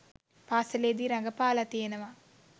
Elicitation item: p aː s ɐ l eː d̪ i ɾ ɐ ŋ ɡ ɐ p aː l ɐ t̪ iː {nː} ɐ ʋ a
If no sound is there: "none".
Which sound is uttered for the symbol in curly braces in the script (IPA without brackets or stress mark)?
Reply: n